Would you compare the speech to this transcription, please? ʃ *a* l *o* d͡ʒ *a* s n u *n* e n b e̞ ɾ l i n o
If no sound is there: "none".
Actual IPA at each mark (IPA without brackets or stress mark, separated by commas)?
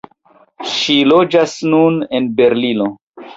i, o, a, n